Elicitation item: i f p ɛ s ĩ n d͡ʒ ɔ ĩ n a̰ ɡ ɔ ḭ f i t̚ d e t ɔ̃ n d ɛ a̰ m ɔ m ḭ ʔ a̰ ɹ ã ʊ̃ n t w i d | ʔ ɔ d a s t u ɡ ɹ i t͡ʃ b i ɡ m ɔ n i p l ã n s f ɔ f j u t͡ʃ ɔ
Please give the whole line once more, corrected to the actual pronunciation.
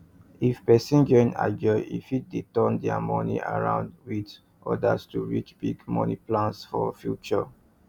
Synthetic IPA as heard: i f p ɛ s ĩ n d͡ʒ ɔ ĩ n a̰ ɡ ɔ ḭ f i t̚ d e t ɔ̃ n d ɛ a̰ m ɔ n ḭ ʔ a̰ ɹ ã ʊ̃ n d w i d | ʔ ɔ d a s t u ɹ i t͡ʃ b i ɡ m ɔ n i p l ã n s f ɔ f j u t͡ʃ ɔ

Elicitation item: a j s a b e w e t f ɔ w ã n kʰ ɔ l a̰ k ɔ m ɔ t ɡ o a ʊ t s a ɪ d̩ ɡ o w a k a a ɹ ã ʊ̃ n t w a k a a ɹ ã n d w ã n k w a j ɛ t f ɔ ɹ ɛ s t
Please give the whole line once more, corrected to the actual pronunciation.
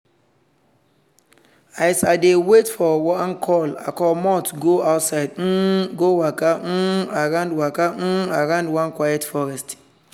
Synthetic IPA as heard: a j s a d e w e t f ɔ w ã n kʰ ɔ l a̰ k ɔ m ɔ t ɡ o a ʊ t s a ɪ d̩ ɡ o w a k a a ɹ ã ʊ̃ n d w a k a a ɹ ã n d w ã n k w a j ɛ t f ɔ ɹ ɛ s t

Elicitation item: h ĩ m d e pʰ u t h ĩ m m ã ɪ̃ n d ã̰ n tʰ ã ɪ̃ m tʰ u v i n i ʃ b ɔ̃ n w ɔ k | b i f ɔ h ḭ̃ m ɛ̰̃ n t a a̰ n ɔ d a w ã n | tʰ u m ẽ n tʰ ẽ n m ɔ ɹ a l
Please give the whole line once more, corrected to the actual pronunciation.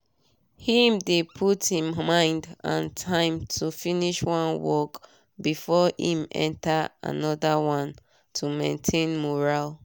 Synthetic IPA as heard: h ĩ m d e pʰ u t h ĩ m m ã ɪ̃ n d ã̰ n tʰ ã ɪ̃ m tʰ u f i n i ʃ w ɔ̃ n w ɔ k | b i f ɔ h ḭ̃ m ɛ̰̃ n t a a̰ n ɔ d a w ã n | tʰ u m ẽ n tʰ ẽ n m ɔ ɹ a l

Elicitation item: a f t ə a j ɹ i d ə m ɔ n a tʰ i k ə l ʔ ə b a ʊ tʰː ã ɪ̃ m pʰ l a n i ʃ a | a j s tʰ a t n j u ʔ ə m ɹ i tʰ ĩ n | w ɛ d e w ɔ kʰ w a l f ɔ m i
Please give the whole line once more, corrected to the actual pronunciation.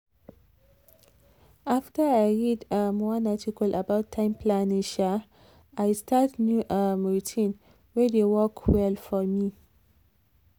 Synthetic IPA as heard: a f t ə a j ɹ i d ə m ɔ n a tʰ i k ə l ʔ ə b a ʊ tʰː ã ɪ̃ m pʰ l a n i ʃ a | a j s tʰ a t n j u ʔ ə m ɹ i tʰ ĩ n | w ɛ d e w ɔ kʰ w ɛ l f ɔ m i

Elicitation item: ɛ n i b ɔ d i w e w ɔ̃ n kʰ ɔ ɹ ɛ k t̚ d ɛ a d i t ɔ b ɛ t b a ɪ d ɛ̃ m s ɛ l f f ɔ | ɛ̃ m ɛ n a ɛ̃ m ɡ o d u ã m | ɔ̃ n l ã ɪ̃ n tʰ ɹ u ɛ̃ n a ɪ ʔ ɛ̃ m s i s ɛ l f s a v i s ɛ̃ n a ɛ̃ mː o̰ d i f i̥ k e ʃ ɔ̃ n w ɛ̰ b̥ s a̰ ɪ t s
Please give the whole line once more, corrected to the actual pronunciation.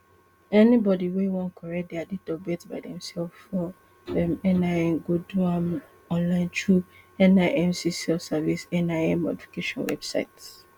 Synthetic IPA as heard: ɛ n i b ɔ d i w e w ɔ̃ n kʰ ɔ ɹ ɛ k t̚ d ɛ a d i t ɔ b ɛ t b a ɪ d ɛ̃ m s ɛ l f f ɔ | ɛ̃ m ɛ n a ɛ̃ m ɡ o d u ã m | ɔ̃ n l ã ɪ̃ n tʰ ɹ u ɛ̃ n a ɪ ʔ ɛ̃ m s i s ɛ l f s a v i s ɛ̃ n a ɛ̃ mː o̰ d i f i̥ k e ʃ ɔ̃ n w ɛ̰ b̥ s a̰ ɪ t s

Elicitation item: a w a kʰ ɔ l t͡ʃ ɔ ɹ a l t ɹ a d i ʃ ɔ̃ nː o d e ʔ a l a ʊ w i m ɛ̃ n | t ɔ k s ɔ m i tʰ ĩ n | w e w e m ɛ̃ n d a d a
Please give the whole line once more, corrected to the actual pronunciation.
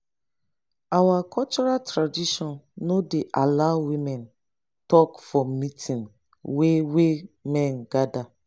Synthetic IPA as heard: a w a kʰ ɔ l t͡ʃ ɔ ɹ a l t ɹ a d i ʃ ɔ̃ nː o d e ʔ a l a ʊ w i m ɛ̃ n | t ɔ k f ɔ m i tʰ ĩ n | w e w e m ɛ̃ n ɡ a d a

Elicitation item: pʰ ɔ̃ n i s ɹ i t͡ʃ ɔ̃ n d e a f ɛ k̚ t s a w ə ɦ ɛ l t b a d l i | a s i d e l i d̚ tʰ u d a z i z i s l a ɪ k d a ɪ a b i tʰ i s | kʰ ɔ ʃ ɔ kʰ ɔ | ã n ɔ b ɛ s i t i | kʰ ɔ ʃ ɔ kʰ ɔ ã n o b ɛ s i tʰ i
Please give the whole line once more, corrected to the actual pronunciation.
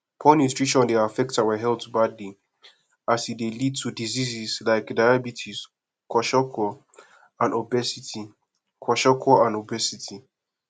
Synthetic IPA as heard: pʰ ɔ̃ n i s ɹ i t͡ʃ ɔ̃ n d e a f ɛ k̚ t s a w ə ɦ ɛ l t b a d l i | a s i d e l i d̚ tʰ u d i z i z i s l a ɪ k d a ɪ a b i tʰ i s | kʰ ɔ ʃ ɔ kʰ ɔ | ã n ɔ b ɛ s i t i | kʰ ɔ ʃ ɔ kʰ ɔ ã n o b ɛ s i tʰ i

